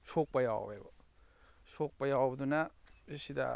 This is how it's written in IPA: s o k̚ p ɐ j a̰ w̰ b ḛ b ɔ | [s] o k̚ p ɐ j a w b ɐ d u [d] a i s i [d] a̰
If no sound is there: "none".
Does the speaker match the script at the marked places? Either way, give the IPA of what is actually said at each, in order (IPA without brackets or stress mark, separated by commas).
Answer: s, n, d